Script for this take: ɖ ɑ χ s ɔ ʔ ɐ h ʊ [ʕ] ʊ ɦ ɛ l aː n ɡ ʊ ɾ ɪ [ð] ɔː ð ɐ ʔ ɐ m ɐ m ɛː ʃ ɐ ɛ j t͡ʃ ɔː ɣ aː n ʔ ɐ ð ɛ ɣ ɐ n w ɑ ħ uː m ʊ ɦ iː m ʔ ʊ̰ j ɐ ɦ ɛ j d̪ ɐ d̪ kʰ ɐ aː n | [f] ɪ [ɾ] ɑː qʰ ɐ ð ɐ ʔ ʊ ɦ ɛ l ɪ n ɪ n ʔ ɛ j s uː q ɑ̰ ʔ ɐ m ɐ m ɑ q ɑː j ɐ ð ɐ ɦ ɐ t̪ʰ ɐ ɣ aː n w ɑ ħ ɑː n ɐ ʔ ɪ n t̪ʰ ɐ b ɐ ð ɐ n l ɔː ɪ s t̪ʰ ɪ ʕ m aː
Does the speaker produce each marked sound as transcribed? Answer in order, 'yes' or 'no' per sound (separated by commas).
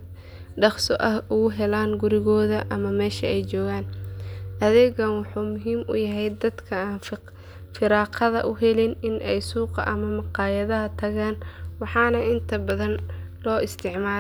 no, no, yes, yes